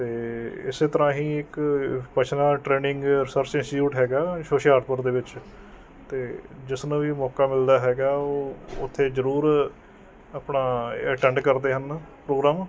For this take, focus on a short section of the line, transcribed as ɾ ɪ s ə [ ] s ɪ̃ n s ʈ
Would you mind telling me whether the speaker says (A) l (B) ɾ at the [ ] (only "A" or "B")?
B